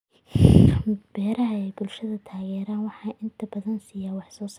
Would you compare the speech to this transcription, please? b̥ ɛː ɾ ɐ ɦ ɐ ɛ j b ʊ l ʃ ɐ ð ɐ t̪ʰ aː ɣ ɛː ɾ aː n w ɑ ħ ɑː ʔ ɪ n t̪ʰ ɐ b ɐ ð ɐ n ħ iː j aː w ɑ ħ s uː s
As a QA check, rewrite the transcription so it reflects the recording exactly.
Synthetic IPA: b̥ ɛː ɾ ɐ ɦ ɐ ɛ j b ʊ l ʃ ɐ ð ɐ t̪ʰ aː ɣ ɛː ɾ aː n w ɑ ħ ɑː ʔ ɪ n t̪ʰ ɐ b ɐ ð ɐ n s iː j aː w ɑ ħ s ɔː s